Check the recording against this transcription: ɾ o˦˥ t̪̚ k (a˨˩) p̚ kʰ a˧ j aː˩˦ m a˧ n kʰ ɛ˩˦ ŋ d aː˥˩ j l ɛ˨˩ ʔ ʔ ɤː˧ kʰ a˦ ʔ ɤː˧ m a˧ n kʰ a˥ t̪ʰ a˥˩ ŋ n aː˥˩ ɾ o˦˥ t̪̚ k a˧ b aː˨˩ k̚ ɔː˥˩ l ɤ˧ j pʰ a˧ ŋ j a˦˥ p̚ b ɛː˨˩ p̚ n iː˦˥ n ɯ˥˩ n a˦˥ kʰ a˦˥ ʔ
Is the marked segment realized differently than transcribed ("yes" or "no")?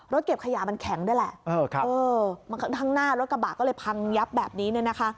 yes